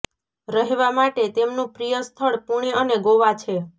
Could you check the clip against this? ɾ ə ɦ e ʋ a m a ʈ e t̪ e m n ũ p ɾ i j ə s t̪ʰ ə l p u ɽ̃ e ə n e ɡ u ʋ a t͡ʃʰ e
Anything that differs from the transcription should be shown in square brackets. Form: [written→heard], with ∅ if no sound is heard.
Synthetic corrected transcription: ɾ ə ɦ e ʋ a m a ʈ e t̪ e m n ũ p ɾ i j ə s t̪ʰ ə [l→ɭ] p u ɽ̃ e ə n e ɡ [u→o] ʋ a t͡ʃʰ e